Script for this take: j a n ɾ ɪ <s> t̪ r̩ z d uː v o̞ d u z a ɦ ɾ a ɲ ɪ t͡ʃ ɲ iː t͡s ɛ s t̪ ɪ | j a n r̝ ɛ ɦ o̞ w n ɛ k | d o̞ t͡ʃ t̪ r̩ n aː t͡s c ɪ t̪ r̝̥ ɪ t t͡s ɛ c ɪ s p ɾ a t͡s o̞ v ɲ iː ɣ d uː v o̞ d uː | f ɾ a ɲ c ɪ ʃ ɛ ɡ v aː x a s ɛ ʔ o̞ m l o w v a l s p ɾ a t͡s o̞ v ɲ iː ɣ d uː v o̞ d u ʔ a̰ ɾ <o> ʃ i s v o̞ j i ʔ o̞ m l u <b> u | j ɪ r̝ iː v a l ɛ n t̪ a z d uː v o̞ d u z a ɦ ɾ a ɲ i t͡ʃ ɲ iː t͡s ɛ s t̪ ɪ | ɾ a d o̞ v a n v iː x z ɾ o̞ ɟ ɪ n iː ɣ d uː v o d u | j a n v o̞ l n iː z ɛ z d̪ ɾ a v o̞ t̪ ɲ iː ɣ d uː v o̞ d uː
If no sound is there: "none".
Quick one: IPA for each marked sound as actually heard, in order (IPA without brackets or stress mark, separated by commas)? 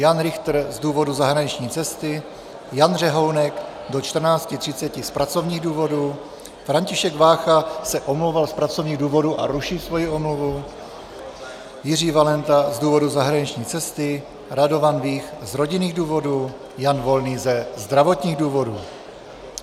x, u, v